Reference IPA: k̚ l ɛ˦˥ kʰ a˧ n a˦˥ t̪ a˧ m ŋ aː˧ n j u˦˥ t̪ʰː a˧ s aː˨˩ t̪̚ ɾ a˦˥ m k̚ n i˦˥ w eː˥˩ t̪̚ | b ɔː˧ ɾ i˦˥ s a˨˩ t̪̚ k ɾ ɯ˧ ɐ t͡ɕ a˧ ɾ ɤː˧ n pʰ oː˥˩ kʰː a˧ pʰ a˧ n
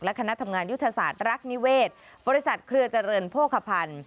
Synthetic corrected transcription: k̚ l ɛ˦˥ kʰ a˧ n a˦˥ t̪ʰ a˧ m ŋ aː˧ n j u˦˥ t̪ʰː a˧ s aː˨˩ t̪̚ ɾ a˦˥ k̚ n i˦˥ w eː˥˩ t̪̚ | b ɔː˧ ɾ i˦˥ s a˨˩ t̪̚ kʰ ɾ ɯ˧ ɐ t͡ɕ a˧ ɾ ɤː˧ n pʰ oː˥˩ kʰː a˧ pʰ a˧ n

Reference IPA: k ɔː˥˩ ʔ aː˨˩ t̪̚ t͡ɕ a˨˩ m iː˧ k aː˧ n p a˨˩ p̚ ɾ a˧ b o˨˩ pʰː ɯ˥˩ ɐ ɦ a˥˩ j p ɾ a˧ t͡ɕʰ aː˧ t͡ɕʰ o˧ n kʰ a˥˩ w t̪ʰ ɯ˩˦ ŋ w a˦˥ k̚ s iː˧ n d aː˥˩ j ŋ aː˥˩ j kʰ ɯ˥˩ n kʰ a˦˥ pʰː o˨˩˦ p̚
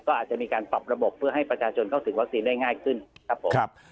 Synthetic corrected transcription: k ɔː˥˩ ʔ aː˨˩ t̪̚ t͡ɕ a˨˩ m iː˧ k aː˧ n p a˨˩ p̚ ɾ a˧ b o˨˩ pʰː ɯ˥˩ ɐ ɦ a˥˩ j p ɾ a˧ t͡ɕʰ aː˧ t͡ɕʰ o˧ n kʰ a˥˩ w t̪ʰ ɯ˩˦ ŋ w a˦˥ k̚ s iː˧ n d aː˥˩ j ŋ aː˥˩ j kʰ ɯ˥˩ n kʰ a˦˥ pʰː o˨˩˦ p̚

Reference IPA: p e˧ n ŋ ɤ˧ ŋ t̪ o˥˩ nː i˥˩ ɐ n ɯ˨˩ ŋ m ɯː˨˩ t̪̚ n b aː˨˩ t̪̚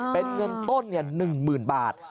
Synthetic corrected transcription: p e˧ n ŋ ɤ˧ n t̪ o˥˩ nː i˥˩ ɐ n ɯ˨˩ ŋ m ɯː˨˩ n b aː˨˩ t̪̚

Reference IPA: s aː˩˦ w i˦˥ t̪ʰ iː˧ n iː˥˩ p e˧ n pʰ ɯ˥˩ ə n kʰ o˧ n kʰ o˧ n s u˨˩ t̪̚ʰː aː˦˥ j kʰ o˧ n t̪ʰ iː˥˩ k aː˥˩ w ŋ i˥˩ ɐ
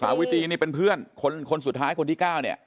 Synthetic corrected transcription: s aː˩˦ w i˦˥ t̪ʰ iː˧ n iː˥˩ p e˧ n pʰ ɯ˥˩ ə n kʰ o˧ n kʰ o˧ n s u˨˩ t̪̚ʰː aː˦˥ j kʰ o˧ n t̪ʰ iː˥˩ k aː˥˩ w n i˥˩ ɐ

